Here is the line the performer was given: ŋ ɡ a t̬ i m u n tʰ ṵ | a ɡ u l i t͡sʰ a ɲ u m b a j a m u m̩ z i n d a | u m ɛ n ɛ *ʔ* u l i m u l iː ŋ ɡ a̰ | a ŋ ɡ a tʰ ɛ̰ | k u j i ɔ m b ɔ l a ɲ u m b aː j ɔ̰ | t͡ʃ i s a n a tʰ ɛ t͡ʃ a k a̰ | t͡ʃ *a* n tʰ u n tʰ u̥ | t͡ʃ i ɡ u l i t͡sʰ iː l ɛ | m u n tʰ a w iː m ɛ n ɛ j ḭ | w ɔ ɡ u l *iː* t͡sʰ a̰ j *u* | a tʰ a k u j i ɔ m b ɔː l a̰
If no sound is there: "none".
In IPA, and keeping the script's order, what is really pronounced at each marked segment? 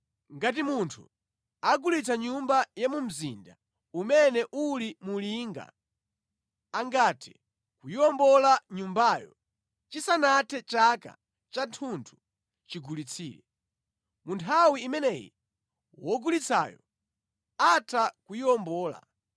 ʔ, a, i, ɔ

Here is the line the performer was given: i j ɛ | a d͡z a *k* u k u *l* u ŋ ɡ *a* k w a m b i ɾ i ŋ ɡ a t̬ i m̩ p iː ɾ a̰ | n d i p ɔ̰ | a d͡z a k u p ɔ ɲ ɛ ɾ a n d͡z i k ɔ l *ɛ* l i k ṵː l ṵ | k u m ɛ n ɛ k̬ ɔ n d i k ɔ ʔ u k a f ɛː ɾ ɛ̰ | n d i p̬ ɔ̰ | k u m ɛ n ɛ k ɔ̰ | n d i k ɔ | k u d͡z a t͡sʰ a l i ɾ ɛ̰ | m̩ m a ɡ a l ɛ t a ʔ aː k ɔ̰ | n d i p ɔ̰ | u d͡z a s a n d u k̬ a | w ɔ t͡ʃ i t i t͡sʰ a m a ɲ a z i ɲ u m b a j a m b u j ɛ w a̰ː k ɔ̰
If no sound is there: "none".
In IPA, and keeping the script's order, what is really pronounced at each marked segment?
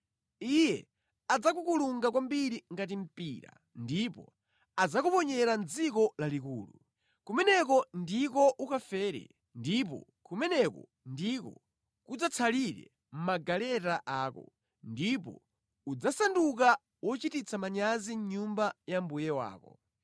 k, l, a, a

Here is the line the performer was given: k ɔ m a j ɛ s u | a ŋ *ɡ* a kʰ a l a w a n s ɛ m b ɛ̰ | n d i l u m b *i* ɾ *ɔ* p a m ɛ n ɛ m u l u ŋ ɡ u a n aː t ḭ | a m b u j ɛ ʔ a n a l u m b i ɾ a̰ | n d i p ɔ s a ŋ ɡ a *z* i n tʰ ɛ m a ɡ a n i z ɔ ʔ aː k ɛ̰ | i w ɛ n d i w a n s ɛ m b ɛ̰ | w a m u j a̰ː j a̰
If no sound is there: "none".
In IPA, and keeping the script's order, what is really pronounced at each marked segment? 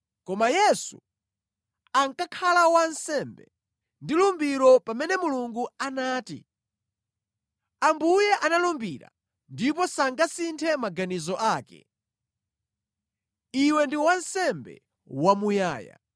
k, i, ɔ, s

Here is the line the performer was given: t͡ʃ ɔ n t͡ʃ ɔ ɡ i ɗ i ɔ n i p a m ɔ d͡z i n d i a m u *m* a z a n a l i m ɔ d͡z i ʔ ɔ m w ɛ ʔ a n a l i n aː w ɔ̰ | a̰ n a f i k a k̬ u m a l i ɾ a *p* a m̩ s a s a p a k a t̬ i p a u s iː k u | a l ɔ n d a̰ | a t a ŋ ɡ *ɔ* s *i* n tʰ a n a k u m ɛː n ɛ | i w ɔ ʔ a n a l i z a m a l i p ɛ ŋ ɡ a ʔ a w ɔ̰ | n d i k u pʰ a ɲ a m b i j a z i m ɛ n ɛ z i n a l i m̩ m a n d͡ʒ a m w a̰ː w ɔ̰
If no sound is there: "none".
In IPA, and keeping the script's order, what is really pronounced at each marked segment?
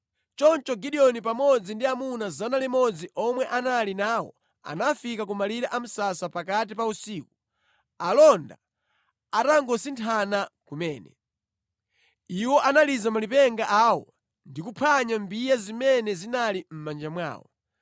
n, ʔ, ɔ, i

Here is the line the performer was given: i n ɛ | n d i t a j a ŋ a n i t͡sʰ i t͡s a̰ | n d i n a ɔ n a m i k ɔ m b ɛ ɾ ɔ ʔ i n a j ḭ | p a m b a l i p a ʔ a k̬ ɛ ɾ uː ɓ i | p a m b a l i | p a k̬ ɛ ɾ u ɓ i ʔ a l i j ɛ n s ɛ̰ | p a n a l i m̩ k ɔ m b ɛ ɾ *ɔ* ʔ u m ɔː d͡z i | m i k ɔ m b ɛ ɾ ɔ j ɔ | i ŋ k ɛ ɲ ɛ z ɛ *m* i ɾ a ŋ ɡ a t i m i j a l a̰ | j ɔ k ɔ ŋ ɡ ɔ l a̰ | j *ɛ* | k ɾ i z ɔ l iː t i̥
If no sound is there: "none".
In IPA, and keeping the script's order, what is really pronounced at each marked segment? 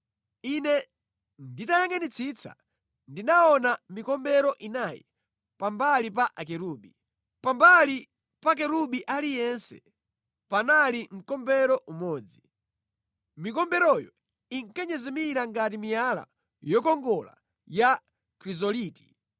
ɔ, m, a

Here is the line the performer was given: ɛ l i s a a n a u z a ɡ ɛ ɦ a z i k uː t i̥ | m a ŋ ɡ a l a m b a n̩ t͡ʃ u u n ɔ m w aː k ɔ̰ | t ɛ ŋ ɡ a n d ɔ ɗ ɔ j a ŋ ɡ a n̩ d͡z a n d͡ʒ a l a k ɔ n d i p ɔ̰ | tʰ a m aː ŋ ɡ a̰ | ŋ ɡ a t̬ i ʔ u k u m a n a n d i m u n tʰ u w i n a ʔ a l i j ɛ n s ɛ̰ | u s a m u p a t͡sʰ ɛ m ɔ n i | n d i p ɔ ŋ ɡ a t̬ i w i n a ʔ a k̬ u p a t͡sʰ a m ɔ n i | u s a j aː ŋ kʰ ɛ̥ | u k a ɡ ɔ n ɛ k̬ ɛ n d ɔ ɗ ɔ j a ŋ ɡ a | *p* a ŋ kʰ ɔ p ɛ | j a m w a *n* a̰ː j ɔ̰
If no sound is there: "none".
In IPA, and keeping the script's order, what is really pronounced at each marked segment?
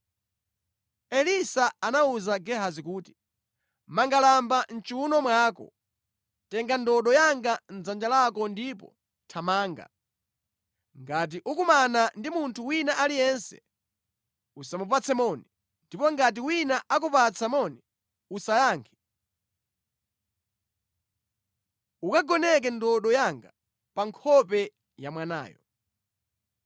p, n

